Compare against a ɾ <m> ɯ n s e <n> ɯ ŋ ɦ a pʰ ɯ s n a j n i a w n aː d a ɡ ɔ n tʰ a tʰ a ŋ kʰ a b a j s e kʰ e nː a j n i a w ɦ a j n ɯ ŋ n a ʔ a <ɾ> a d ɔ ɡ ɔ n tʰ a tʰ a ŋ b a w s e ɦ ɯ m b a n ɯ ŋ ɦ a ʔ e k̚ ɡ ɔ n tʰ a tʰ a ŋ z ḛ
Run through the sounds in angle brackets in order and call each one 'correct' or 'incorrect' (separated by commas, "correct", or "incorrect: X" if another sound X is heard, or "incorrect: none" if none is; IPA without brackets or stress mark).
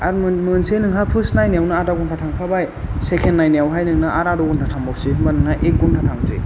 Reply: correct, correct, correct